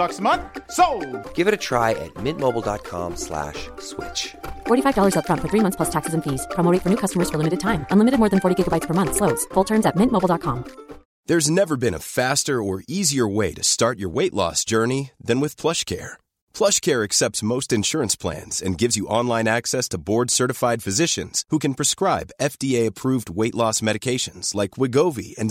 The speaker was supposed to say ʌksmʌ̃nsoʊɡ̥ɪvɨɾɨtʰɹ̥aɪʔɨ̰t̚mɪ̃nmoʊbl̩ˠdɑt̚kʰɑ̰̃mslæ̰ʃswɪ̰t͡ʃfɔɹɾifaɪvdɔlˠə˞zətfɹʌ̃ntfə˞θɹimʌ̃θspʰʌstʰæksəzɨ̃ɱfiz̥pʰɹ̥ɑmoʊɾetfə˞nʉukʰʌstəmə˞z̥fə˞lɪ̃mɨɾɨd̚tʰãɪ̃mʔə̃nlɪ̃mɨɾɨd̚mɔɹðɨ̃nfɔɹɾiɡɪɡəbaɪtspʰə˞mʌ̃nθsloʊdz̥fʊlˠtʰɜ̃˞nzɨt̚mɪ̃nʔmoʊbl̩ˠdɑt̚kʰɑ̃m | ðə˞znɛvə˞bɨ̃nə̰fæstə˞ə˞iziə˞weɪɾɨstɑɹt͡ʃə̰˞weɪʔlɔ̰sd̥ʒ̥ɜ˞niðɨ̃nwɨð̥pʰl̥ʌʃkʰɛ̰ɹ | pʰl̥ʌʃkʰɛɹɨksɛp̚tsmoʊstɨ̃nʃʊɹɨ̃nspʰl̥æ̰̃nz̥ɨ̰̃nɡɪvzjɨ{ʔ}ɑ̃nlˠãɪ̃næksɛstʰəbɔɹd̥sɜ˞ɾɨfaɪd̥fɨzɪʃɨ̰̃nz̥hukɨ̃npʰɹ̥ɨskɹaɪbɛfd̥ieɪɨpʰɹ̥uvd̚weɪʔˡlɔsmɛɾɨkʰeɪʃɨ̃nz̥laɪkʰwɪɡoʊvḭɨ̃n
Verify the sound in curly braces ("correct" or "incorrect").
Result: correct